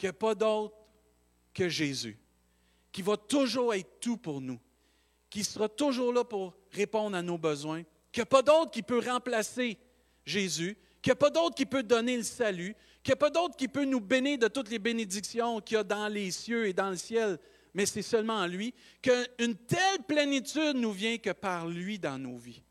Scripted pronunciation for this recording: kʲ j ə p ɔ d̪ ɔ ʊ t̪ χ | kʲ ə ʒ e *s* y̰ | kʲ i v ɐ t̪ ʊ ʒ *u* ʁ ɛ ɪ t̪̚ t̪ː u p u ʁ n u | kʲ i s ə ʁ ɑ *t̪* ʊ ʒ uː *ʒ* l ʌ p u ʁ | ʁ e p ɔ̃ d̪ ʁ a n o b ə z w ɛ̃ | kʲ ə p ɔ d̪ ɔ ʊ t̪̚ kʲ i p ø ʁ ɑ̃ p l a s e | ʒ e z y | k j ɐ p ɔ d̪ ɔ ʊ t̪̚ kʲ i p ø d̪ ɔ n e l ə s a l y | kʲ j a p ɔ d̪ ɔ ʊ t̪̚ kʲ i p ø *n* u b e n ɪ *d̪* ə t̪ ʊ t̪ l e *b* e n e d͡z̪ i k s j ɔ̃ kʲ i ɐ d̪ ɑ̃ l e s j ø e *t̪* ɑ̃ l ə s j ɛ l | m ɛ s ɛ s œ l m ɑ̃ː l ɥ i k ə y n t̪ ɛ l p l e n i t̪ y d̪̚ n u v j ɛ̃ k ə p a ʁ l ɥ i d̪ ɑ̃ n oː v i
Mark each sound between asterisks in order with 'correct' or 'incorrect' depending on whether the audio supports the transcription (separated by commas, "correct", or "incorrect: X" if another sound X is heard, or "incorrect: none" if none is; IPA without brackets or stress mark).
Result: incorrect: z, incorrect: uː, correct, incorrect: ʁ, correct, correct, correct, incorrect: d̪